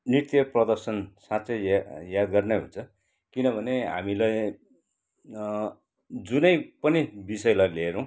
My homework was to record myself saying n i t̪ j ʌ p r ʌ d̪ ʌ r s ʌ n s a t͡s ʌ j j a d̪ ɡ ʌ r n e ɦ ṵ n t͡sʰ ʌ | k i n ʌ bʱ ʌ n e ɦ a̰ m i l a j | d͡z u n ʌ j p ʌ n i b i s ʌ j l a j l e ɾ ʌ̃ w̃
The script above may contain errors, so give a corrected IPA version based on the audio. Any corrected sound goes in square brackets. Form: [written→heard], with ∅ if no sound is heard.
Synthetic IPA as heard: n i t̪ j ʌ p r ʌ d̪ ʌ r s ʌ n s a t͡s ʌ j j a d̪ ɡ ʌ r n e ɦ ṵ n t͡sʰ ʌ | k i n ʌ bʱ ʌ n e ɦ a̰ m i l a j | d͡z u n ʌ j p ʌ n i b i s ʌ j l a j l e ɾ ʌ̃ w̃

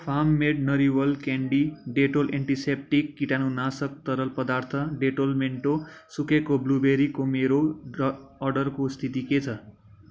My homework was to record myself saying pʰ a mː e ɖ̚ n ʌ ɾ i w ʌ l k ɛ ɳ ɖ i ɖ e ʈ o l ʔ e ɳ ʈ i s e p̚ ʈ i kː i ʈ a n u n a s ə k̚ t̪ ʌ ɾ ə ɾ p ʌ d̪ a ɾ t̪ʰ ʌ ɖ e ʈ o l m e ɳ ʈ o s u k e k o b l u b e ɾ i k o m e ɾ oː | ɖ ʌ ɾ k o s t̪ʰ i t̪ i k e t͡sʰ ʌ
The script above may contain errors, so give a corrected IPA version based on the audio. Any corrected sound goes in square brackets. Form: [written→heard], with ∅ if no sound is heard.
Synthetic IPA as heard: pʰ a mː e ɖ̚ n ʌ ɾ i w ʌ l k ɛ ɳ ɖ i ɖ e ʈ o l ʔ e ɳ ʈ i s e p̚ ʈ i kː i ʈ a n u n a s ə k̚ t̪ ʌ ɾ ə [ɾ→l] p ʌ d̪ a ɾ t̪ʰ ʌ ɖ e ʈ o l m e ɳ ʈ o s u k e k o b l u b e ɾ i k o m e ɾ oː | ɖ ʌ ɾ k o s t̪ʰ i t̪ i k e t͡sʰ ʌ

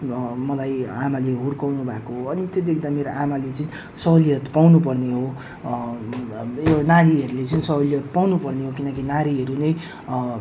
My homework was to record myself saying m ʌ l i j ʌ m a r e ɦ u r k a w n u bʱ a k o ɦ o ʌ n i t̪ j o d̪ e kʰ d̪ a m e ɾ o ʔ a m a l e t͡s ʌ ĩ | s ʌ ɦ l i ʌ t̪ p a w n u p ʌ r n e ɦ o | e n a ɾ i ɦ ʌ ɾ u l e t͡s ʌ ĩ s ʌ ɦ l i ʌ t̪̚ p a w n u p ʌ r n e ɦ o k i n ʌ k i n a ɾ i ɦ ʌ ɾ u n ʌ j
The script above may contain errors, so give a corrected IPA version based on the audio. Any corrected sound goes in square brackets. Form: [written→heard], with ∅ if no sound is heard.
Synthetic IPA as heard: m ʌ l [i→a] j [ʌ→a] m a [r→l] e ɦ u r k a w n u bʱ a k o ɦ o ʌ n i t̪ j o d̪ e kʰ d̪ a m e ɾ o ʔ a m a l e t͡s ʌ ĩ | s ʌ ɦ l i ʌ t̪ p a w n u p ʌ r n e ɦ o | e n a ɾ i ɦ ʌ ɾ u l e t͡s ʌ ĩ s ʌ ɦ l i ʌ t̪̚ p a w n u p ʌ r n e ɦ o k i n ʌ k i n a ɾ i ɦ ʌ ɾ u n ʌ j

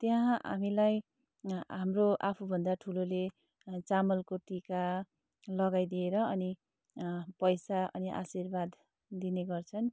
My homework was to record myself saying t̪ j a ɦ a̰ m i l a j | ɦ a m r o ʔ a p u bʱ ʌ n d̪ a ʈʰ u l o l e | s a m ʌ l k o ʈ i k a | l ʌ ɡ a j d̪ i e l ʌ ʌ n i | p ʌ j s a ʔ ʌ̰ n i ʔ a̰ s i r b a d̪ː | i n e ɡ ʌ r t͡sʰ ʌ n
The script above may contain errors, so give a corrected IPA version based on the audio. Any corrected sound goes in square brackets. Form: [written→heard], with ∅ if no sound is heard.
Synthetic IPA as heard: t̪ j a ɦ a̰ m i l a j | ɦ a m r o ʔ a [p→pʰ] u bʱ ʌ n d̪ a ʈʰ u l o l e | [s→t͡s] a m ʌ l k o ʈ i k a | l ʌ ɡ a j d̪ i e [l→ɾ] ʌ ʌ n i | p ʌ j s a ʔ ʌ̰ n i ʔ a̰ s i r b a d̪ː | i n e ɡ ʌ r t͡sʰ ʌ n

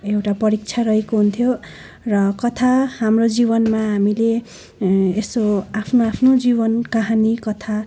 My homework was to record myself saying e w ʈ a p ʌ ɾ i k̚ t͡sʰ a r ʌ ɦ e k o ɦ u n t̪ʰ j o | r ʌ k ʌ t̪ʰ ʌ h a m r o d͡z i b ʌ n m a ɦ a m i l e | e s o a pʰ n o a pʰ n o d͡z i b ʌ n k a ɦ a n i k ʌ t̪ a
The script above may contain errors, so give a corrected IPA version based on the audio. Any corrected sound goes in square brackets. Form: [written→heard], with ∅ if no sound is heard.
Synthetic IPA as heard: e w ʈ a p ʌ ɾ i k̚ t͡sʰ a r ʌ ɦ e k o ɦ u n t̪ʰ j o | r ʌ k ʌ t̪ʰ [ʌ→a] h a m r o d͡z i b ʌ n m a ɦ a m i l e | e s o a pʰ n o a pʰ n o d͡z i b ʌ n k a ɦ a n i k ʌ [t̪→t̪ʰ] a

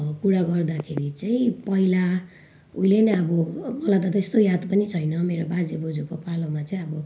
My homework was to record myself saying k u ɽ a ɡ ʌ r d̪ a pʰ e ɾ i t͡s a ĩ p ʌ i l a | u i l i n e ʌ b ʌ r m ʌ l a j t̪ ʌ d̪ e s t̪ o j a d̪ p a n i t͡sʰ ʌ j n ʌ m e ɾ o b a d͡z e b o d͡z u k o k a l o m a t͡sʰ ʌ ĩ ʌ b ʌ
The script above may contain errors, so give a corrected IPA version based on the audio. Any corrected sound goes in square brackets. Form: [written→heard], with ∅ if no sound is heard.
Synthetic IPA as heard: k u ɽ a ɡ ʌ r d̪ a [pʰ→kʰ] e ɾ i t͡s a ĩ p ʌ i l a | u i l [i→e] n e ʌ b ʌ [r→∅] m ʌ l a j t̪ ʌ [d̪→t̪] e s t̪ o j a d̪ p [a→ʌ] n i t͡sʰ ʌ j n ʌ m e ɾ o b a d͡z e b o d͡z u k o [k→p] a l o m a [t͡sʰ→t͡s] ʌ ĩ ʌ b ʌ

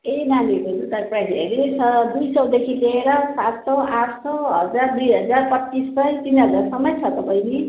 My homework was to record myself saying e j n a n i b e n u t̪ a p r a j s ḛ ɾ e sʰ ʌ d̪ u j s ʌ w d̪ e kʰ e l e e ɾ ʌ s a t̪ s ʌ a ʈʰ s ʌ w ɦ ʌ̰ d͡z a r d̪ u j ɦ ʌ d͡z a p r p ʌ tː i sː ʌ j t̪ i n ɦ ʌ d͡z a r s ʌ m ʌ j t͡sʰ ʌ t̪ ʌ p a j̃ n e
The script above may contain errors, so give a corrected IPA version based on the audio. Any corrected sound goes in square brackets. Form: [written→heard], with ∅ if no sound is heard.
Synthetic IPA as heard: e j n a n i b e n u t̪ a p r a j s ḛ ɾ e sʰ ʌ d̪ u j s ʌ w d̪ e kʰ [e→i] l e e ɾ ʌ s a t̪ s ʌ a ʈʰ s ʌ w ɦ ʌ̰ d͡z a r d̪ u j ɦ ʌ d͡z a [p→∅] r p ʌ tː i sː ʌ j t̪ i n ɦ ʌ d͡z a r s ʌ m ʌ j t͡sʰ ʌ t̪ ʌ p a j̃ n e

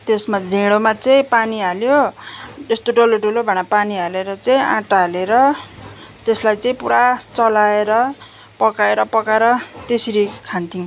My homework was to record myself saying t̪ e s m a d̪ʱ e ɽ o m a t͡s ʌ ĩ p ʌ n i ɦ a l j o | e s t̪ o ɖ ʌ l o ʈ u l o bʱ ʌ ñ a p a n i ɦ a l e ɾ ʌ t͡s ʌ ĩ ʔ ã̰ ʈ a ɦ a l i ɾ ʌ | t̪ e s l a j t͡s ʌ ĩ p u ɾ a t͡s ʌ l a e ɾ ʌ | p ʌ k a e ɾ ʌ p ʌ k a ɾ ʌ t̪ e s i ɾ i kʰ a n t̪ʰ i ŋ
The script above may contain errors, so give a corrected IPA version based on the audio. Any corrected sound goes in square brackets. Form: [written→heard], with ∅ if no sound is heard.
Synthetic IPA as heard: t̪ e s m a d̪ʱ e ɽ o m a t͡s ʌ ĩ p [ʌ→a] n i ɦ a l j o | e s t̪ o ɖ ʌ l o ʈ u l o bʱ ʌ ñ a p a n i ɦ a l e ɾ ʌ t͡s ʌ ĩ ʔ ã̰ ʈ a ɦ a l [i→e] ɾ ʌ | t̪ e s l a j t͡s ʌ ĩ p u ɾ a t͡s ʌ l a e ɾ ʌ | p ʌ k a e ɾ ʌ p ʌ k a ɾ ʌ t̪ e s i ɾ i kʰ a n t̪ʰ i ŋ

